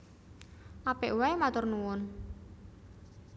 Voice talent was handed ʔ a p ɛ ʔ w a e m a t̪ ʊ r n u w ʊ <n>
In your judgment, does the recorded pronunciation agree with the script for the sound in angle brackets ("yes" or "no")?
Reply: yes